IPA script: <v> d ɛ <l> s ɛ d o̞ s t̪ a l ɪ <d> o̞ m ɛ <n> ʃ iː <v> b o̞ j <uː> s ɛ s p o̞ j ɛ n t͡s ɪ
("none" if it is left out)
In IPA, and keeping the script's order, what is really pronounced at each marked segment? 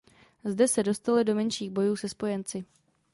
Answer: z, none, d, n, ɣ, uː

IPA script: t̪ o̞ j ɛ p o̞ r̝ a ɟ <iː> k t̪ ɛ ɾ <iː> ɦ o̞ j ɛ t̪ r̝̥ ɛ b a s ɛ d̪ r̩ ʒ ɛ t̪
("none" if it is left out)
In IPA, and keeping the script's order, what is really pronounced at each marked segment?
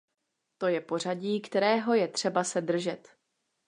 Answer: iː, ɛː

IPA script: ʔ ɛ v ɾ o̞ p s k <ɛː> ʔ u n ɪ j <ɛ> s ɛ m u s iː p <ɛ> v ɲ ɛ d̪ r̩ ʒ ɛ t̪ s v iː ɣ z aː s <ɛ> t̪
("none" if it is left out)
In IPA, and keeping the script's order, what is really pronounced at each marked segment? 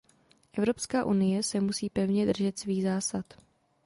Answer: aː, ɛ, ɛ, a

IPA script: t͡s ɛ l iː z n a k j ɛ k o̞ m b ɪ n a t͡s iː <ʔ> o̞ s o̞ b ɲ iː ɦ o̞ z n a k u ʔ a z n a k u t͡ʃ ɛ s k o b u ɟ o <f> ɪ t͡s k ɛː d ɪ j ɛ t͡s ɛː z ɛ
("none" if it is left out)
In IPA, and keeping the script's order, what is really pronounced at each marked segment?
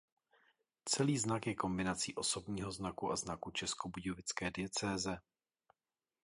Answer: ʔ, v

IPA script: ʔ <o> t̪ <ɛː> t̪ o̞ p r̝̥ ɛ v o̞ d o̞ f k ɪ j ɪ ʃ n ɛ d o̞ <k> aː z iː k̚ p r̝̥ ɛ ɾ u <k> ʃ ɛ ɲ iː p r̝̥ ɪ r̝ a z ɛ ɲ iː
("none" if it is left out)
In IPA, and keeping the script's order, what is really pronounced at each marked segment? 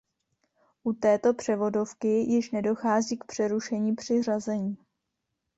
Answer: u, ɛː, x, none

